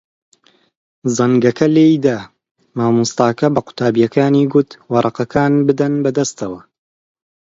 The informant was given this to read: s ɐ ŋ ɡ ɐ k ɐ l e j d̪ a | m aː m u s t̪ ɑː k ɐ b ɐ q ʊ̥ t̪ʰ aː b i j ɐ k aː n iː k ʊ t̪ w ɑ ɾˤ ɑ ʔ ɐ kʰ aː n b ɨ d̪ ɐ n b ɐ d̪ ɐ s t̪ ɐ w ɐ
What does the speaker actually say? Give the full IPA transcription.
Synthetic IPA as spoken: z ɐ ŋ ɡ ɐ k ɐ l e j d̪ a | m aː m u s t̪ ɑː k ɐ b ɐ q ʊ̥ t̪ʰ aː b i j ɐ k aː n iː ɡ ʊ t̪ w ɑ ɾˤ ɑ q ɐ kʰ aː n b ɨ d̪ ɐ n b ɐ d̪ ɐ s t̪ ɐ w ɐ